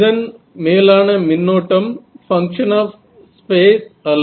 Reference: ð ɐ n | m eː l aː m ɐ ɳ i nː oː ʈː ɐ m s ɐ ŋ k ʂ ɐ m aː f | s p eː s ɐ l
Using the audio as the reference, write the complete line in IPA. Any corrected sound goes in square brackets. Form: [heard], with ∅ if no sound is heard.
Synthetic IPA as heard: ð ɐ n | m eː l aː [n] ɐ [m] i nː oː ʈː ɐ m [f] ɐ ŋ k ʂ ɐ [n] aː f | s p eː s ɐ l